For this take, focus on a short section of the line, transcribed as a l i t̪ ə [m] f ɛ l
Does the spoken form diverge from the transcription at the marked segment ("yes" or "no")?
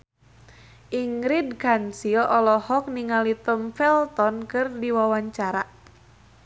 no